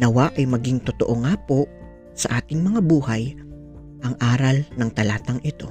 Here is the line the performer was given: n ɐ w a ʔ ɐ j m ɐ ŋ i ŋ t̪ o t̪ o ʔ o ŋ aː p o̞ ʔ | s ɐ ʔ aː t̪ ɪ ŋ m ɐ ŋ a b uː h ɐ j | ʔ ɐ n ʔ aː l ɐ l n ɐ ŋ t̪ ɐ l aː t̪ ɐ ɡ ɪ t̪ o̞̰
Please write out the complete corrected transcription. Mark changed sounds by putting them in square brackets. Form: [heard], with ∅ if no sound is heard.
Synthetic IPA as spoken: n ɐ w a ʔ ɐ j m ɐ [ɡ] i ŋ t̪ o t̪ o ʔ o ŋ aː p o̞ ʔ | s ɐ ʔ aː t̪ ɪ ŋ m ɐ ŋ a b uː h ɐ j | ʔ ɐ [ŋ] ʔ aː [ɾ] ɐ l n ɐ ŋ t̪ ɐ l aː t̪ ɐ [ŋ] ɪ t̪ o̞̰